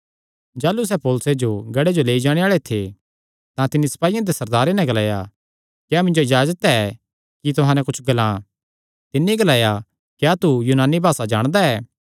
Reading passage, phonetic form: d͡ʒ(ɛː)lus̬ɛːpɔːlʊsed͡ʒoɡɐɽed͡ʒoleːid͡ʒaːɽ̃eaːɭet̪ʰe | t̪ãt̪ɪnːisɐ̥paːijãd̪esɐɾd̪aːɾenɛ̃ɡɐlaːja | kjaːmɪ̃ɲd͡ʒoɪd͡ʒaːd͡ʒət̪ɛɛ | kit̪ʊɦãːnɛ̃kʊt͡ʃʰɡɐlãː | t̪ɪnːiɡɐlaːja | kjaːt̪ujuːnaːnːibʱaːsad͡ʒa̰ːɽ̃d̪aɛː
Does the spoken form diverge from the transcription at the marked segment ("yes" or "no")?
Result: yes